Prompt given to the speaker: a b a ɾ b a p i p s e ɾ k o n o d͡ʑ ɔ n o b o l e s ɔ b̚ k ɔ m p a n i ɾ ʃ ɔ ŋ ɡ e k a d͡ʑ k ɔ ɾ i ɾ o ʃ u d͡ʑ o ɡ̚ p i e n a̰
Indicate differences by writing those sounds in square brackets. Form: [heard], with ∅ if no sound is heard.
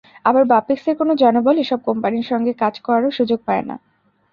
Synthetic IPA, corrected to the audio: a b a ɾ b a p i [k] s e ɾ k o n o d͡ʑ ɔ n o b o l e [ʃ] ɔ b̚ k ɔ m p a n i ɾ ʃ ɔ ŋ ɡ e k a d͡ʑ k ɔ ɾ [a] ɾ o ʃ u d͡ʑ o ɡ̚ p [a] e n a̰